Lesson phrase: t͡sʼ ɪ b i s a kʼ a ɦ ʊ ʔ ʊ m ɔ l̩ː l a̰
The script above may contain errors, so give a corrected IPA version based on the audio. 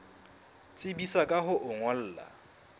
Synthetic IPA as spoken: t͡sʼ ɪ b i s a kʼ a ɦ ʊ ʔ ʊ ŋ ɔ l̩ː l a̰